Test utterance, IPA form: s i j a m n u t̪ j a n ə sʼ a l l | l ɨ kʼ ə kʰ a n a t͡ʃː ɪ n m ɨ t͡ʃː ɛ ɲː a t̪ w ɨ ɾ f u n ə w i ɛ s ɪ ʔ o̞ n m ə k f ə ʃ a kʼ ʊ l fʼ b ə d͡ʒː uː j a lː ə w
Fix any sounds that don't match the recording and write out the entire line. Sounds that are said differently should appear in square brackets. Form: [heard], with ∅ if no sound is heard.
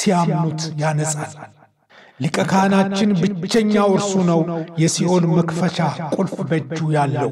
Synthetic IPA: s i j a m n u t̪ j a n ə sʼ a l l | l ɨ kʼ ə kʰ a n a t͡ʃː ɪ n [b] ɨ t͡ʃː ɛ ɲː a [∅] w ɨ ɾ [s] u n ə w [j] ɛ s [i] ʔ o̞ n m ə k f ə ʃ a kʼ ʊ l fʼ b ə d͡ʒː [u] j a lː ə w